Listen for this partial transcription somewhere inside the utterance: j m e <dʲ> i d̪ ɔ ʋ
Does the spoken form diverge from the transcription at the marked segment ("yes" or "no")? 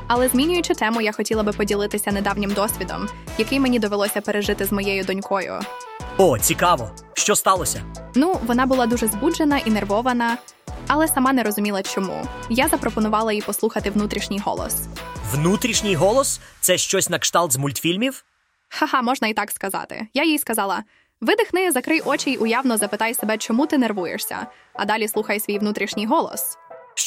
yes